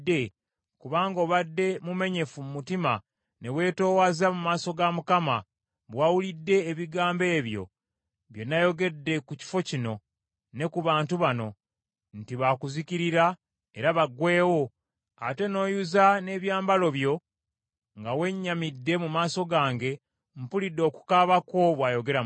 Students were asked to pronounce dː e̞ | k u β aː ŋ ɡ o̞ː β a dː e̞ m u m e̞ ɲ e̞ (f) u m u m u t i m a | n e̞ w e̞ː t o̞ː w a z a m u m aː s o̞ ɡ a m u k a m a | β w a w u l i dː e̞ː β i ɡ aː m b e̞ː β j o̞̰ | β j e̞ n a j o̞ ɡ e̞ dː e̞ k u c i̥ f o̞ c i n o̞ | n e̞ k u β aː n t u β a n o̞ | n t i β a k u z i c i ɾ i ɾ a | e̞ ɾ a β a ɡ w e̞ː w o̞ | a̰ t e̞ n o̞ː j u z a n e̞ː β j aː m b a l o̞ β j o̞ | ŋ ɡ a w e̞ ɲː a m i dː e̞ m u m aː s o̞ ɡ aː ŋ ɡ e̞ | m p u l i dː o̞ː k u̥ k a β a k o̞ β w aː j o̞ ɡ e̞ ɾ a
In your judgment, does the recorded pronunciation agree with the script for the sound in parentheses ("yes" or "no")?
yes